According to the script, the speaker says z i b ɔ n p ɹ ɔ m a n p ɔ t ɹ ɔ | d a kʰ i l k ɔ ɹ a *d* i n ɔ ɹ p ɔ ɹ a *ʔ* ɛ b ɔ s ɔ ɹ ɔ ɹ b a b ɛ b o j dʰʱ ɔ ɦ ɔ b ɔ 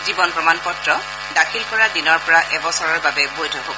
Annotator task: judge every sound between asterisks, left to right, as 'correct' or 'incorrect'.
correct, correct

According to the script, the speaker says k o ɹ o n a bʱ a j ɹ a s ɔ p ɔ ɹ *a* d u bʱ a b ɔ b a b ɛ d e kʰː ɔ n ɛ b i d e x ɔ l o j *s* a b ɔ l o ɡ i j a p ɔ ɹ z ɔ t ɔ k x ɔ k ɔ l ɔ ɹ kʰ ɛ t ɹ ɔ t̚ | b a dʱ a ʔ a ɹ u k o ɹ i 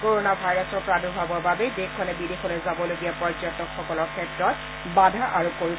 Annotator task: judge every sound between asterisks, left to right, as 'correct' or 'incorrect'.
correct, incorrect: z

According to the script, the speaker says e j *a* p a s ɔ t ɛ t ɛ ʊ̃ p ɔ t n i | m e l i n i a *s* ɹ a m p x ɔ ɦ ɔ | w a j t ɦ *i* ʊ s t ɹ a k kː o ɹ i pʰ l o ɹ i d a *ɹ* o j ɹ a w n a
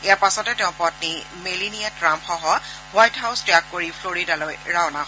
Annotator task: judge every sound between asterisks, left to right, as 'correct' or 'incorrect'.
correct, incorrect: t, incorrect: a, incorrect: l

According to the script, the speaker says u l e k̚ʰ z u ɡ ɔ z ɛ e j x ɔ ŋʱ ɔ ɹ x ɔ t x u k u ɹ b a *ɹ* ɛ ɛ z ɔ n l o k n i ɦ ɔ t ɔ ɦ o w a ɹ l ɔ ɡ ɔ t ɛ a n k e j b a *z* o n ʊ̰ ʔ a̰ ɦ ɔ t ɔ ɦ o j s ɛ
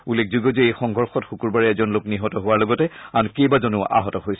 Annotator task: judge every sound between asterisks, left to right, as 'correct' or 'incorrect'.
correct, correct

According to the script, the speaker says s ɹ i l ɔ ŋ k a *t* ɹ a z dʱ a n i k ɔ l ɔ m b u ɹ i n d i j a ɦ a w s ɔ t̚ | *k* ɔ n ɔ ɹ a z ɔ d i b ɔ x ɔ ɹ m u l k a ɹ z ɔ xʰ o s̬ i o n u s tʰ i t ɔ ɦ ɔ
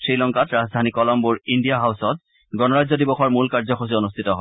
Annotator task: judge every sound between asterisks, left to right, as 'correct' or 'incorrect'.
correct, incorrect: ɡ

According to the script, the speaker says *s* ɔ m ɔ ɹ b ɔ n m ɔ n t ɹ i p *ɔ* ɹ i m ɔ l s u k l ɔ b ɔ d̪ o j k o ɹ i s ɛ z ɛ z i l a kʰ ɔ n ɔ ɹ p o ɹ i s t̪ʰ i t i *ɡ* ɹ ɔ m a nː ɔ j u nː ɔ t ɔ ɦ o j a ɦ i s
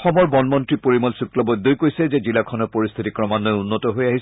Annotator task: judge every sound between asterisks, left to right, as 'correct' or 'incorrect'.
incorrect: x, incorrect: o, incorrect: k

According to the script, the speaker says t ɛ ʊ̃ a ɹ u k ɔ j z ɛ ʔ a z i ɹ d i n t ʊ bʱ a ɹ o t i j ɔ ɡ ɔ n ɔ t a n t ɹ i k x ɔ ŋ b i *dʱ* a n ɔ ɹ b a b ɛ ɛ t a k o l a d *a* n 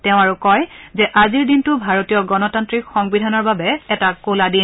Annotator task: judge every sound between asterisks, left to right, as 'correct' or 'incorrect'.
correct, incorrect: i

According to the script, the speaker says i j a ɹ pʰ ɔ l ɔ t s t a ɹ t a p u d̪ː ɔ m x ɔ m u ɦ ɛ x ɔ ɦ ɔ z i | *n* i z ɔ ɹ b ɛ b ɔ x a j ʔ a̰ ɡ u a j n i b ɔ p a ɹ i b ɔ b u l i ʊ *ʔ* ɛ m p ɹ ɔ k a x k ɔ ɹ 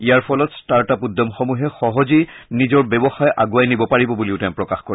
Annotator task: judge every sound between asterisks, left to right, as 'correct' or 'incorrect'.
correct, incorrect: t

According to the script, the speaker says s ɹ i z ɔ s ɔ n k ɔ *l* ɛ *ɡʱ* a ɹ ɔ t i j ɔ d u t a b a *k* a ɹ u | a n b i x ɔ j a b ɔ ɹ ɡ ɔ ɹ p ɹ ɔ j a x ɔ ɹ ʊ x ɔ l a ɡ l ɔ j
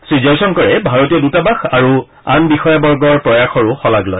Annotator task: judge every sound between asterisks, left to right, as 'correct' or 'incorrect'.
incorrect: ɹ, incorrect: bʱ, incorrect: x

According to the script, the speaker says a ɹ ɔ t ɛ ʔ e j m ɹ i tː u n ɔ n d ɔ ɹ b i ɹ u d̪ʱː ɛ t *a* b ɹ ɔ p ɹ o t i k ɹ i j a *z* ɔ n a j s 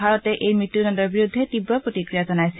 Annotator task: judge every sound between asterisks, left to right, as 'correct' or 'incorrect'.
incorrect: i, correct

